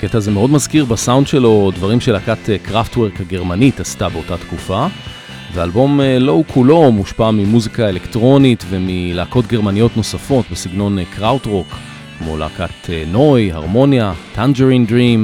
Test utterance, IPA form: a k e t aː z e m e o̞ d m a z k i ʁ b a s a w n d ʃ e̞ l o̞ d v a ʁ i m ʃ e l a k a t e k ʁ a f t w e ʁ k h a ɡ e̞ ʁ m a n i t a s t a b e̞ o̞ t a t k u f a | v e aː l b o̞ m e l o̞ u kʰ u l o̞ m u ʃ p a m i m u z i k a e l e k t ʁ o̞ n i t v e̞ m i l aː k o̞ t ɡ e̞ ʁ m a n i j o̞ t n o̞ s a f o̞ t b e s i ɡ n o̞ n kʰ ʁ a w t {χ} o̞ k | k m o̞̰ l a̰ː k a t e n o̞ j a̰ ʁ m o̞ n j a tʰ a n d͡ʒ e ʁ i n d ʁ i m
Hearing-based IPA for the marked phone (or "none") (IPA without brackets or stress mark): ʁ